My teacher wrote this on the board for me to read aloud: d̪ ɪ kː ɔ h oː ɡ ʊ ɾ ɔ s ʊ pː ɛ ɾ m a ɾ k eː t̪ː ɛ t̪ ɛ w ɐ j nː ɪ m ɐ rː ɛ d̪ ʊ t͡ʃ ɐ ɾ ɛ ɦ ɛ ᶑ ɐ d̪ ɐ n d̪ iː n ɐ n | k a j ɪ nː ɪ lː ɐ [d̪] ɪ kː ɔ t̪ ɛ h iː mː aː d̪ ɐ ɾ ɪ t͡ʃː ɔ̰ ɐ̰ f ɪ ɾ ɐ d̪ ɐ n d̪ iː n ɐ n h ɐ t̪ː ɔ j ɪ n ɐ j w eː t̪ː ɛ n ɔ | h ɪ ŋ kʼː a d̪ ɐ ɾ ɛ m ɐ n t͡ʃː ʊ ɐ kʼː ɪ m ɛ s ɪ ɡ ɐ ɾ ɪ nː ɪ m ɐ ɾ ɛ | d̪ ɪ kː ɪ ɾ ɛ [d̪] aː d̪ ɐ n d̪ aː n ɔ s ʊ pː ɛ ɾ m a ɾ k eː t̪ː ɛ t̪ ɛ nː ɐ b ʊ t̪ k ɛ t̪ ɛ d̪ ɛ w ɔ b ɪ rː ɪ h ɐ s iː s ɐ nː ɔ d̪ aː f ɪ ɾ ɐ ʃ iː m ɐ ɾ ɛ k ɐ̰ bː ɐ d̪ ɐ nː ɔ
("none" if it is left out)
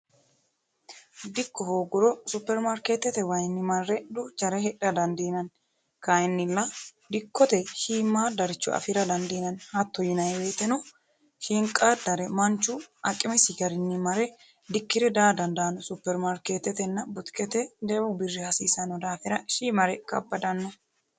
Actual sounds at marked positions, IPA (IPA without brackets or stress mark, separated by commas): d̪, d̪